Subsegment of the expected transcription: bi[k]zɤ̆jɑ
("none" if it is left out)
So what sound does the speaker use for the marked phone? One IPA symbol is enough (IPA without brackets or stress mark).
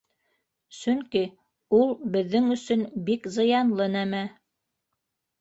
k